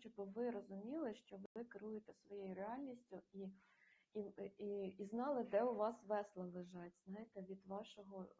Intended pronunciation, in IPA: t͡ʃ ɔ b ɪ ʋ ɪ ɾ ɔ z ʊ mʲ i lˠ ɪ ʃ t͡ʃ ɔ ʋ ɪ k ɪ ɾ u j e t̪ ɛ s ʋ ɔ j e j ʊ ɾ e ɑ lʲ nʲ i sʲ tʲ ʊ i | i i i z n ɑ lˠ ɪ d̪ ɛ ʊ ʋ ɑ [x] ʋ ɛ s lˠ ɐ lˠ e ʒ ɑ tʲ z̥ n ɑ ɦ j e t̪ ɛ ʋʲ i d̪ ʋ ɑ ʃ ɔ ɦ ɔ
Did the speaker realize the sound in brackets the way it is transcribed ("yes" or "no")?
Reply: no